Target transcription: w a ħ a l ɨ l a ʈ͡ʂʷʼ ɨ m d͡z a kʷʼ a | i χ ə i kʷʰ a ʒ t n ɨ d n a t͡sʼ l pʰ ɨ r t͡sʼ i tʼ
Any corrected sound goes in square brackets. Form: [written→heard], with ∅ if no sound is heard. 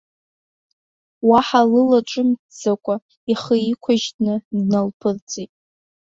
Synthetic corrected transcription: w a ħ a l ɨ l a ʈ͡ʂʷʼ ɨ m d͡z a kʷʼ a | i χ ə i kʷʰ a ʒ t n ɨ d n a [t͡sʼ→∅] l pʰ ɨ r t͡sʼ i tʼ